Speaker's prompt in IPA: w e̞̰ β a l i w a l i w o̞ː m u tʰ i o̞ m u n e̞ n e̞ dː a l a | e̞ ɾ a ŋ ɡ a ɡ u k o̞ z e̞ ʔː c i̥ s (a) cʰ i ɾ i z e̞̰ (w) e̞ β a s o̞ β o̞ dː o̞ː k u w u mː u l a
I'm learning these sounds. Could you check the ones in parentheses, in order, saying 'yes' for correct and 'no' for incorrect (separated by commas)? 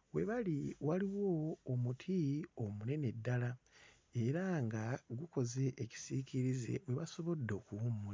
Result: no, yes